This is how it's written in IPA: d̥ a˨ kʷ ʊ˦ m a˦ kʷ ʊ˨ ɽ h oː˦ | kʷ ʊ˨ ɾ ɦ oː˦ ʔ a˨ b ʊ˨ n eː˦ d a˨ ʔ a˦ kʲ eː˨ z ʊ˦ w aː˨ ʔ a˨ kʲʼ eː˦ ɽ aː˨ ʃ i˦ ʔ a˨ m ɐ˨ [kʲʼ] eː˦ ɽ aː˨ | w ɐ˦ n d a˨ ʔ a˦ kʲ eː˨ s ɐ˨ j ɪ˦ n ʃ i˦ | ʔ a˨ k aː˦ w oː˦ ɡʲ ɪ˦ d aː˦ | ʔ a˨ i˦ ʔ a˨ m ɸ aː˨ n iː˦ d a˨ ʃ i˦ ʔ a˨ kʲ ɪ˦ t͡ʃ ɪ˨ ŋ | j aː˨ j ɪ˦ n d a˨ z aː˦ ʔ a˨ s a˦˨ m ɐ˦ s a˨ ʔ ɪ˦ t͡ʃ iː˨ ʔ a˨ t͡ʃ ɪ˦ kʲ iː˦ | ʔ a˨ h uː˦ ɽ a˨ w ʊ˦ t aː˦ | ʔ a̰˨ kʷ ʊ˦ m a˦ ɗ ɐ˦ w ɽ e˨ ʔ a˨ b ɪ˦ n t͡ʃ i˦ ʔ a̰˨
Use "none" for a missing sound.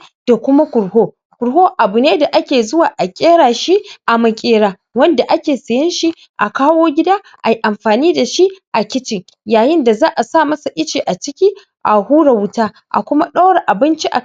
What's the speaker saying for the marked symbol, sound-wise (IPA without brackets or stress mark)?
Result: kʲʼ